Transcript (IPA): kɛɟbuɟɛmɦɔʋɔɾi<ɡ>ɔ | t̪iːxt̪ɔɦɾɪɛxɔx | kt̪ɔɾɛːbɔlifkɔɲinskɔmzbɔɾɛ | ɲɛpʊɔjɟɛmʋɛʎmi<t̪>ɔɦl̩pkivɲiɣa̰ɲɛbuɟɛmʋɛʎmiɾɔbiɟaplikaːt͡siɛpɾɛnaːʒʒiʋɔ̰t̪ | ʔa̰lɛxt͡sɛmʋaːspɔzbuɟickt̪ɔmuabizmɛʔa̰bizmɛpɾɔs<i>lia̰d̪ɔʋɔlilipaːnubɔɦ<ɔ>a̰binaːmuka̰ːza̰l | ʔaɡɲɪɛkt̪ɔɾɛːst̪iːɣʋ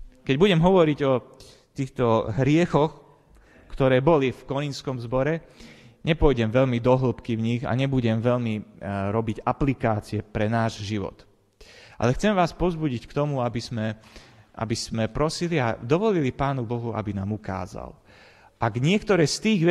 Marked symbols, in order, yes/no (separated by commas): no, no, yes, no